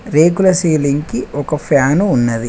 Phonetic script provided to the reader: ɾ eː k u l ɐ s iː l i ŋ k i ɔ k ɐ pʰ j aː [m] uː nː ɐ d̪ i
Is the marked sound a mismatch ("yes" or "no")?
yes